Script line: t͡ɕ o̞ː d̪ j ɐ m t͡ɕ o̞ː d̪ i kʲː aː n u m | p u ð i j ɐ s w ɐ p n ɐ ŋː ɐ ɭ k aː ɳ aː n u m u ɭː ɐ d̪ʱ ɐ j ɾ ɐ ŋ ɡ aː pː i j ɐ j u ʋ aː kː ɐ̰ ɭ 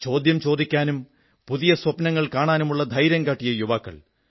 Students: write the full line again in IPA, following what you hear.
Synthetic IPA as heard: t͡ɕ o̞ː d̪ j ɐ m t͡ɕ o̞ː d̪ i kʲː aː n u m | p u ð i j ɐ s w ɐ p n ɐ ŋː ɐ ɭ k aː ɳ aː n u m u ɭː ɐ d̪ʱ ɐ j ɾ ɐ ŋ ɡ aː ʈː i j ɐ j u ʋ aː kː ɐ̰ ɭ